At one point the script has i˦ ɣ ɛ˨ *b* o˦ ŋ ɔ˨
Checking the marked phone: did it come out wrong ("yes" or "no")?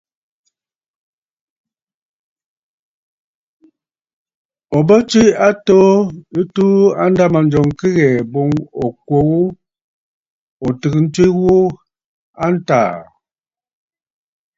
no